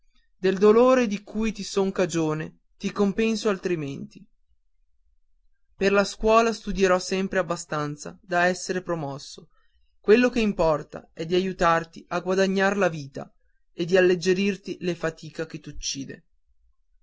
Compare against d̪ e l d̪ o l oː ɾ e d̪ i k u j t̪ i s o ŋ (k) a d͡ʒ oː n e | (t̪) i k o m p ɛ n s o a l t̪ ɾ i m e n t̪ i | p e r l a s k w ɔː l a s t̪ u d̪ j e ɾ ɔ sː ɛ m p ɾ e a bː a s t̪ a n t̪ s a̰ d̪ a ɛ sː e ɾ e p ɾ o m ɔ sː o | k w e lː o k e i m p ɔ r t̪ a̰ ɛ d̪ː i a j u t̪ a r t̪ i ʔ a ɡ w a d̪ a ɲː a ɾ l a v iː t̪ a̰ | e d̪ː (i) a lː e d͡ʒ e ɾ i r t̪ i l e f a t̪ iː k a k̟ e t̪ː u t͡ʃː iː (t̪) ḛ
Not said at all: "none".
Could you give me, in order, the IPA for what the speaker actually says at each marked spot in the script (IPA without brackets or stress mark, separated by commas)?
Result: k, t̪, i, d̪